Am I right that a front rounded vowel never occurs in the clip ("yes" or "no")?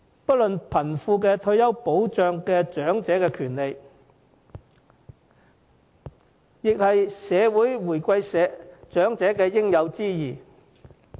no